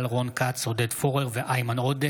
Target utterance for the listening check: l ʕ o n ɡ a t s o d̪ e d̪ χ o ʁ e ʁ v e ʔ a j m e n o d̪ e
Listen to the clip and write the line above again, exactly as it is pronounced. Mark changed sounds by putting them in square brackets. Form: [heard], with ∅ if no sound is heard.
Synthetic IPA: l [ʁ] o n [k] a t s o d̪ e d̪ [f] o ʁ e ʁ v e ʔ a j m [a] n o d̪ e